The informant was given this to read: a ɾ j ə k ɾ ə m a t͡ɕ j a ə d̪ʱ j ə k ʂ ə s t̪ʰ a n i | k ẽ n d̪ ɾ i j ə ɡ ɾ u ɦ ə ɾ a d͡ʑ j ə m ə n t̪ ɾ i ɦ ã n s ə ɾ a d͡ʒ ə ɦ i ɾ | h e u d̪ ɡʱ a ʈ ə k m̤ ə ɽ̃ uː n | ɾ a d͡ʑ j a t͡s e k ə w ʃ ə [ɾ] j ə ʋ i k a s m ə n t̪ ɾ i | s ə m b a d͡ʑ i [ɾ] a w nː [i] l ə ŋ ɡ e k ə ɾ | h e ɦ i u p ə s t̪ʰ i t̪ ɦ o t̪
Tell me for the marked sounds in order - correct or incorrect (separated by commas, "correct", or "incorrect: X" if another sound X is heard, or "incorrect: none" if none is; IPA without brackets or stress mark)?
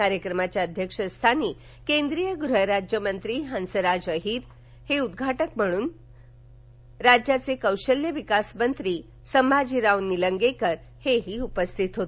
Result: incorrect: l, correct, correct